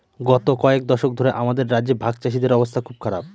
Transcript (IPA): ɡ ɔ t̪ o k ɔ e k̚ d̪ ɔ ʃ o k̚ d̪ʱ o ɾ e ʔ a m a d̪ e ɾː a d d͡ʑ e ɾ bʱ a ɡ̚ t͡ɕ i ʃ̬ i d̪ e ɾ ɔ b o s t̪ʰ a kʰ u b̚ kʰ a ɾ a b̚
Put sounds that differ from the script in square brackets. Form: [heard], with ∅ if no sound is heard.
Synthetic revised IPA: ɡ ɔ t̪ o k ɔ e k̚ d̪ ɔ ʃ o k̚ d̪ʱ o ɾ e ʔ a m a d̪ e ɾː a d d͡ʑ e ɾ bʱ a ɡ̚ t͡ɕ [a] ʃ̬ i d̪ e ɾ ɔ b o s t̪ʰ a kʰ u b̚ kʰ a ɾ a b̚